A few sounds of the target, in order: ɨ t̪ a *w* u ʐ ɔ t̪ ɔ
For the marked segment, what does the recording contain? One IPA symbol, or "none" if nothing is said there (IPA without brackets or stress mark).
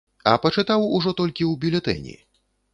w